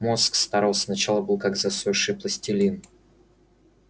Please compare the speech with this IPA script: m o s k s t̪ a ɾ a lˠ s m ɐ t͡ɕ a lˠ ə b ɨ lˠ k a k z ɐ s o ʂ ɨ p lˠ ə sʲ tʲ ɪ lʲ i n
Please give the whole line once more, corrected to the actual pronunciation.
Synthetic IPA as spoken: m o s k s t̪ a ɾ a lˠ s n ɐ t͡ɕ a lˠ ə b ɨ lˠ k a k z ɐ s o ʂ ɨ p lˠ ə sʲ tʲ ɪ lʲ i n